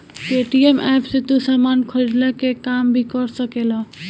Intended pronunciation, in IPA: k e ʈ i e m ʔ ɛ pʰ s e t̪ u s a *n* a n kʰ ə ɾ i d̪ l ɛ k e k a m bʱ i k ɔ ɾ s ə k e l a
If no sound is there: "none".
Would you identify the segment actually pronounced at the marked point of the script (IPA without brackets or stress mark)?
m